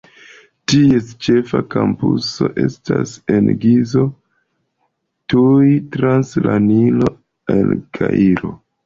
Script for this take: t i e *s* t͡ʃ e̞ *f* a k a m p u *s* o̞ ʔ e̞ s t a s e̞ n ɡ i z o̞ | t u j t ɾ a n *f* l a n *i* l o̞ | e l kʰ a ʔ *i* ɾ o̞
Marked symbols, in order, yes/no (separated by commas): yes, yes, yes, no, yes, yes